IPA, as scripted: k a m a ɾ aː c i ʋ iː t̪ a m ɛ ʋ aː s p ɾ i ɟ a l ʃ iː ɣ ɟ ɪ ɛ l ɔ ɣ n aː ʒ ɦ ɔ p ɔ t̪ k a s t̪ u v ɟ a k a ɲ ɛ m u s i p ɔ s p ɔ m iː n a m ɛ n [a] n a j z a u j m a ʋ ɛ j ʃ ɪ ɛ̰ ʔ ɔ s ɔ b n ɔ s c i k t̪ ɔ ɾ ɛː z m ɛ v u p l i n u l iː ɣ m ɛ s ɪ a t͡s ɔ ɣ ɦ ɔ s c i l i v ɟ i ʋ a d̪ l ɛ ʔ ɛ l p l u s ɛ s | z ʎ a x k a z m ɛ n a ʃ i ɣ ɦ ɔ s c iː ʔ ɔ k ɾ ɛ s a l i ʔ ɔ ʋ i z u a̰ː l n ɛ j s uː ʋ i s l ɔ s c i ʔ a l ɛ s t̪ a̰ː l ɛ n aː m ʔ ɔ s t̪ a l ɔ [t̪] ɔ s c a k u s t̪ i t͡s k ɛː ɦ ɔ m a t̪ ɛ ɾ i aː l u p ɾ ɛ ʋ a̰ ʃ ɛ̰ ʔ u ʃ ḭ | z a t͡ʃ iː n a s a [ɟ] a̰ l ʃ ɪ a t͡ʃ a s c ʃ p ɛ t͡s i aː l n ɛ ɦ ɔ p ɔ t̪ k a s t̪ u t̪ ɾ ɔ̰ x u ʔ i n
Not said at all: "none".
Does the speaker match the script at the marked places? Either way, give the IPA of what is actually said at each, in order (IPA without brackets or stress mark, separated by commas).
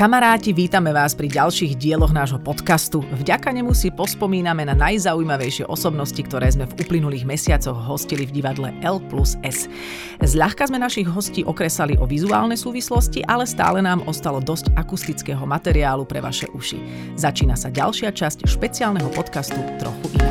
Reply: a, d̪, ɟ